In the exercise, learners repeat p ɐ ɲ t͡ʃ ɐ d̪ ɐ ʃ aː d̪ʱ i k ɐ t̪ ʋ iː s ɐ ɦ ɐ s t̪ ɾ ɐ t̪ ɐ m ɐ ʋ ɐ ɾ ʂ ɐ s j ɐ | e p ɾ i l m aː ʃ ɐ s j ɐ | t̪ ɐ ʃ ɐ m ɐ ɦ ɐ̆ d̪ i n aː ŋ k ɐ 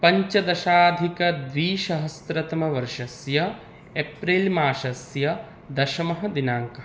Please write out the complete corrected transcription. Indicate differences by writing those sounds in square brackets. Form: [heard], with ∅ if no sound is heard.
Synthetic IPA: p ɐ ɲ t͡ʃ ɐ d̪ ɐ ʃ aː d̪ʱ i k ɐ [d̪] ʋ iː [ʃ] ɐ ɦ ɐ s t̪ ɾ ɐ t̪ ɐ m ɐ ʋ ɐ ɾ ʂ ɐ s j ɐ | e p ɾ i l m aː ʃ ɐ s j ɐ | [d̪] ɐ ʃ ɐ m ɐ ɦ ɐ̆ d̪ i n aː ŋ k ɐ